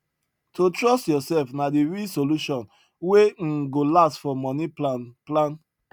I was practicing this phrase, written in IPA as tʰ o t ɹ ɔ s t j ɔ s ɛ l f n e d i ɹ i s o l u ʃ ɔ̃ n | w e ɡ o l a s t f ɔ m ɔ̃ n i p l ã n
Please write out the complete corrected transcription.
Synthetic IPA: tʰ o t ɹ ɔ s t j ɔ s ɛ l f n a d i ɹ i s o l u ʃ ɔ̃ n | w e ɡ o l a s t f ɔ m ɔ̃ n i p l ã n